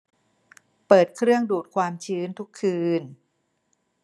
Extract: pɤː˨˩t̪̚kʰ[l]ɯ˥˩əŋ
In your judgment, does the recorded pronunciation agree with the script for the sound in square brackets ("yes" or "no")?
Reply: no